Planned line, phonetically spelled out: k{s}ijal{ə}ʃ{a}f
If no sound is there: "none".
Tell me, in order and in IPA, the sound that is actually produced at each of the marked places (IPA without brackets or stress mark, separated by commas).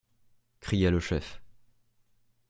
χ, ə, ɛ